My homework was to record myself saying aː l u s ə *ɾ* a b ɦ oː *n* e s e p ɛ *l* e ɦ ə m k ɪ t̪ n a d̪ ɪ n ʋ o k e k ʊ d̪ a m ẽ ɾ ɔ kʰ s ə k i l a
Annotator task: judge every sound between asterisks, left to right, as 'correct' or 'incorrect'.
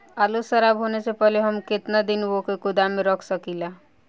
correct, correct, correct

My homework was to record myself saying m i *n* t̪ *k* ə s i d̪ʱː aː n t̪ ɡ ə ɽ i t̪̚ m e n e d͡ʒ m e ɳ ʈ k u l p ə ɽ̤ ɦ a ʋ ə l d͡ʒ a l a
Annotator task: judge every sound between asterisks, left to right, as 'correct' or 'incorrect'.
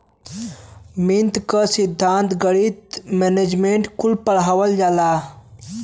correct, correct

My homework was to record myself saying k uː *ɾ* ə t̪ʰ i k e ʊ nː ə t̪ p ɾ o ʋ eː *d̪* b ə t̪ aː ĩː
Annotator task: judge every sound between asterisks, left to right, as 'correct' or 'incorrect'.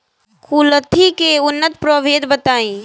incorrect: l, correct

